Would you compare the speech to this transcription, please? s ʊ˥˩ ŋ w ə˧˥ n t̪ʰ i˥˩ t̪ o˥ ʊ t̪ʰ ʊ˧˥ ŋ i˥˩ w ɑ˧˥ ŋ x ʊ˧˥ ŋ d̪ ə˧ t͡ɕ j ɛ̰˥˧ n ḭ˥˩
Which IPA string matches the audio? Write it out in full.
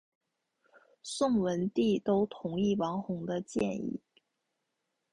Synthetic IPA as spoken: s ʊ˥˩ ŋ w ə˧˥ n t̪ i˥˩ t̪ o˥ ʊ t̪ʰ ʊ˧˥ ŋ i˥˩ w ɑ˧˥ ŋ x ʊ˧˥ ŋ d̪ ə˧ t͡ɕ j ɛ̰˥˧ n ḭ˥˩